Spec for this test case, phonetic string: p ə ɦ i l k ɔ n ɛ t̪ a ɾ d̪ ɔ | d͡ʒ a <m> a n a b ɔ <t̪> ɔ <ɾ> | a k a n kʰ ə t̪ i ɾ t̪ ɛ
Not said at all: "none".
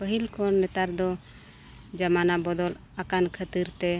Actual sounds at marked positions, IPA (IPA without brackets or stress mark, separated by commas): m, d̪, l